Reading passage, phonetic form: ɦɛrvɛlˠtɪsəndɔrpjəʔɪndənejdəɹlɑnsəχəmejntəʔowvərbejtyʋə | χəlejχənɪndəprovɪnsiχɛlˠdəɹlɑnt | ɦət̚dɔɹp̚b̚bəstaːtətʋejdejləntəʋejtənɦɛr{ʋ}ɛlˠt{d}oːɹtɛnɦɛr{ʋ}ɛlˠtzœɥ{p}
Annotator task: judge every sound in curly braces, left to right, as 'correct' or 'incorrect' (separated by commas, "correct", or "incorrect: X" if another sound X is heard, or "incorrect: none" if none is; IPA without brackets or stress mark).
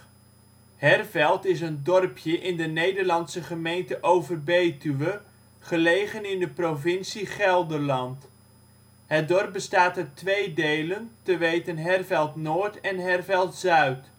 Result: incorrect: v, incorrect: n, incorrect: v, incorrect: t